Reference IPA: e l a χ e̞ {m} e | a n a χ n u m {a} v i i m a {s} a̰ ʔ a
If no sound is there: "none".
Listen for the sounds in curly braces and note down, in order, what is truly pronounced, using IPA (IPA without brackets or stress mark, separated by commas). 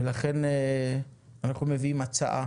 n, e, t͡s